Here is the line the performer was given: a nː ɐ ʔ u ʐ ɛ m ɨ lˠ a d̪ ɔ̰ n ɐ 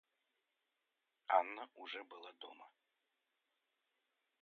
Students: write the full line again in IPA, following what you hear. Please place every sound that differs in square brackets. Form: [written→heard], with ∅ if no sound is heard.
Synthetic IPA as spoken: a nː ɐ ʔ u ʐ ɛ [m→b] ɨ lˠ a d̪ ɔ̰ [n→m] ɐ